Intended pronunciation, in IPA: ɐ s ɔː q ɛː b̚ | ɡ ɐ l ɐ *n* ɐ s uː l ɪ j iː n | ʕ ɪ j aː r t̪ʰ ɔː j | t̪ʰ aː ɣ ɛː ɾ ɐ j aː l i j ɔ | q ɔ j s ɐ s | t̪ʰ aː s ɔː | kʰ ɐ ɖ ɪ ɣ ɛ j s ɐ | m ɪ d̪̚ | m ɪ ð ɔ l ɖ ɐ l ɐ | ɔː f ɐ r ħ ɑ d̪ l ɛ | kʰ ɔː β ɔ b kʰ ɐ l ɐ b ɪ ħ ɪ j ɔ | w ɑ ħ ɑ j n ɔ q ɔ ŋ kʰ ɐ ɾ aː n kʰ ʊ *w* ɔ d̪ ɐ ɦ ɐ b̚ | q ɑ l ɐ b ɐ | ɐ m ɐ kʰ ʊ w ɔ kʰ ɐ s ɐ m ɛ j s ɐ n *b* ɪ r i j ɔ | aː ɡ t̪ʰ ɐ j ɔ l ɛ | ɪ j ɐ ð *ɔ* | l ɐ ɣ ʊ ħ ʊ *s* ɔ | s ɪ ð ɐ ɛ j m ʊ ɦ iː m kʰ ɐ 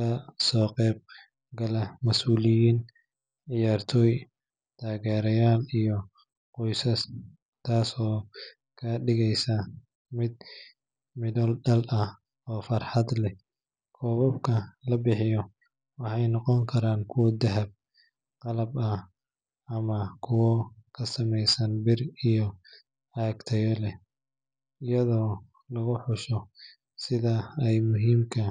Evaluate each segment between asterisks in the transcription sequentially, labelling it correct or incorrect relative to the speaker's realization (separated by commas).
incorrect, correct, correct, incorrect, incorrect